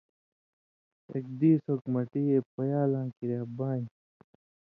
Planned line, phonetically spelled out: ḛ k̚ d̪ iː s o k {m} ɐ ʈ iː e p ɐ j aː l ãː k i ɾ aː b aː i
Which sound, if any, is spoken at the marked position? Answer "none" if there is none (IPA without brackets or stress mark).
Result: m